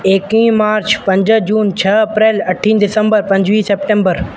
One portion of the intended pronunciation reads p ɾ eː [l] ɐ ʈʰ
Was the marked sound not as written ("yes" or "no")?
no